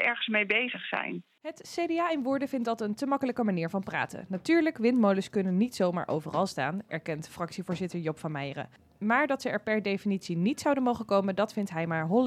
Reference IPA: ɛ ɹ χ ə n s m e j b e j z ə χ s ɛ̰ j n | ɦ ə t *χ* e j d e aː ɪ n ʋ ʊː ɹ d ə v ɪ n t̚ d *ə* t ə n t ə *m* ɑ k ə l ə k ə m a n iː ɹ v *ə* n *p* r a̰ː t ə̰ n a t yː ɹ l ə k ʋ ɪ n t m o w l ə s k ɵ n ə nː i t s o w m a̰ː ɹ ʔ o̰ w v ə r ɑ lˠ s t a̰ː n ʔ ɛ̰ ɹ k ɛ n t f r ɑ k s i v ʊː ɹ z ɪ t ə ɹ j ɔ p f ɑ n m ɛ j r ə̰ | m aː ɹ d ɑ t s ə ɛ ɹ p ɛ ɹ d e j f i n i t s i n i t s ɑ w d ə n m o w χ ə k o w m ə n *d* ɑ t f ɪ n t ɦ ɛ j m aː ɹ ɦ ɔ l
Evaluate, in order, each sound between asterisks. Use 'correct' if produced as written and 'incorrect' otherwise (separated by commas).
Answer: incorrect, incorrect, correct, incorrect, correct, correct